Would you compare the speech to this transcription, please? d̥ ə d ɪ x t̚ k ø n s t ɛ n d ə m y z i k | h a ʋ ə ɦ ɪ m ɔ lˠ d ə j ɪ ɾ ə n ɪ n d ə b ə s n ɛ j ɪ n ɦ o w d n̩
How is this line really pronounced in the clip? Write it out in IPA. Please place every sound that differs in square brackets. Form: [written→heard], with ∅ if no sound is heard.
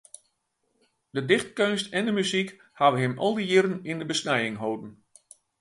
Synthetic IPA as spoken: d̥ ə d ɪ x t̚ k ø n s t ɛ n d ə m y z i k | h a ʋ ə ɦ ɪ m ɔ lˠ d ə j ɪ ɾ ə n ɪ n d ə b ə s n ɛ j ɪ [n→ŋ] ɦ o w d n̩